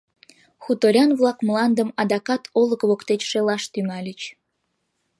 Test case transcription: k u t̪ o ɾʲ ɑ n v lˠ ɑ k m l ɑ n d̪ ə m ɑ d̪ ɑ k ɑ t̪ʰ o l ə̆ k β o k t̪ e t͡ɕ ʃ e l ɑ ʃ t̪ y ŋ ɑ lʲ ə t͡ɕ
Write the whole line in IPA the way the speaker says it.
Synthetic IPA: x u t̪ o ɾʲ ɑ n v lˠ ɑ k m l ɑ n d̪ ə m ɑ d̪ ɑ k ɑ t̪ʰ o l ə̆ k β o k t̪ e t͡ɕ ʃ e l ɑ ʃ t̪ y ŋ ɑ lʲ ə t͡ɕ